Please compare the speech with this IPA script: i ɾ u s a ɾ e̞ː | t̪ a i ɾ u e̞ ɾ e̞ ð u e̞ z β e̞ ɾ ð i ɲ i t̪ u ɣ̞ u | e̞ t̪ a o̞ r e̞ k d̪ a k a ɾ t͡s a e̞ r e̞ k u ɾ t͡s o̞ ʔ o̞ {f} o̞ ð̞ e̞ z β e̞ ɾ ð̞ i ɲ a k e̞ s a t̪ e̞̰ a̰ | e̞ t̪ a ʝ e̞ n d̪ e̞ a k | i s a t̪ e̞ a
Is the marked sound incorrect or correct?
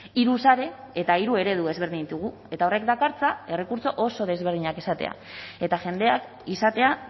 incorrect